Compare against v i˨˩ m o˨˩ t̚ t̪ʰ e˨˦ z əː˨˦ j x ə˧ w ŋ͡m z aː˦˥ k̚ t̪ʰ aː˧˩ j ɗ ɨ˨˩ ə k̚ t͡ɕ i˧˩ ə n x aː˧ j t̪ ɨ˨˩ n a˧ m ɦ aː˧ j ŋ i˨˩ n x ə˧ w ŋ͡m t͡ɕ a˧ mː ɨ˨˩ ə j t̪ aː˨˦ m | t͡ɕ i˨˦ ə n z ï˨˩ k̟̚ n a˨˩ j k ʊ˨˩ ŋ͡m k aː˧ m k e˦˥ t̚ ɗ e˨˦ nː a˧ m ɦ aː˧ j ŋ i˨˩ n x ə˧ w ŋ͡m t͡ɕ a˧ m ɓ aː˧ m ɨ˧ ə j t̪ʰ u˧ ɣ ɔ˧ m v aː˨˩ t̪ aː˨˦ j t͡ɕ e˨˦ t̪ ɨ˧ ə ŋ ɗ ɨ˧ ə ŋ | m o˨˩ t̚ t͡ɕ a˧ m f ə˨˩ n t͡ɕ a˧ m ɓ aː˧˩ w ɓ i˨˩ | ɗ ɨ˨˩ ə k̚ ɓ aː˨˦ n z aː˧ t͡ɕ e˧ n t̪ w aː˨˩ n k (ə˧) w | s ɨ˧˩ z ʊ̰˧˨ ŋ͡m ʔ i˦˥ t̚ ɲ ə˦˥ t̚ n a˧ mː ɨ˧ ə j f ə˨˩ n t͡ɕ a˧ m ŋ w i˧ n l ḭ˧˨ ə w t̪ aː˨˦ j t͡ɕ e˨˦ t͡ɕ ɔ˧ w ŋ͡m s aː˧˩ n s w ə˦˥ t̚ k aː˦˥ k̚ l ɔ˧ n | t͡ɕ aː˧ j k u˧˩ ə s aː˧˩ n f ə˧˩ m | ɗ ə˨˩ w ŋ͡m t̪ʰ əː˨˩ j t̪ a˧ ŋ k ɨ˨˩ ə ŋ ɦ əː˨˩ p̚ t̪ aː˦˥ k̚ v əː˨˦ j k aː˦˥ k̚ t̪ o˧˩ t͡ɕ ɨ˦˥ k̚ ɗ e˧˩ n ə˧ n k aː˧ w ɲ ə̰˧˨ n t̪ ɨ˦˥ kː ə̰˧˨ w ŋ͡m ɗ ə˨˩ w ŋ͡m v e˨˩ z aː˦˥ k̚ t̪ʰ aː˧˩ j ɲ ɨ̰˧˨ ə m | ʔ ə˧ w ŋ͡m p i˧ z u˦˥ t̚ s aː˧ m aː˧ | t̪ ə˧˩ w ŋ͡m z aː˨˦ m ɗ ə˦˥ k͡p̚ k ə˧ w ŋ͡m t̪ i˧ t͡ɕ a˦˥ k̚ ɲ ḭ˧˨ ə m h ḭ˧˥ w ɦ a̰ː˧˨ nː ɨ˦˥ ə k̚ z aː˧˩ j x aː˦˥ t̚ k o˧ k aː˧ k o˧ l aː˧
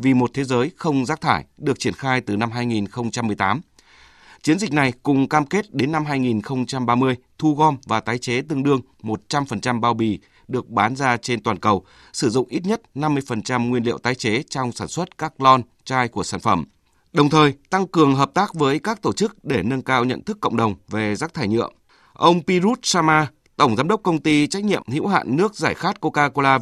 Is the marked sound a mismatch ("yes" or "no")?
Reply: yes